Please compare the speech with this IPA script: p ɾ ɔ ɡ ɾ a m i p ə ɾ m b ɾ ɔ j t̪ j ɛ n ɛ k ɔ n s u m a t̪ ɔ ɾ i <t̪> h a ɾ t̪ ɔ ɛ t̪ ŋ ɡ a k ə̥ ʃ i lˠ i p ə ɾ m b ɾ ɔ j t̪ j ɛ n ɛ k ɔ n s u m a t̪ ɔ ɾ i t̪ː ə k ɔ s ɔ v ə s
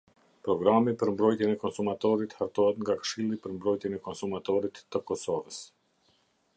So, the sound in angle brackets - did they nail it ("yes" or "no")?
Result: yes